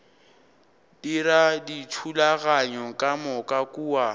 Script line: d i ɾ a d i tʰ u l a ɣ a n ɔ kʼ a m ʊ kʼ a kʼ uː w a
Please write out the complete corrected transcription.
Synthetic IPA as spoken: d i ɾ a d i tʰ u l a ɣ a ɲ ɔ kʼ a m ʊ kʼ a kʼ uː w a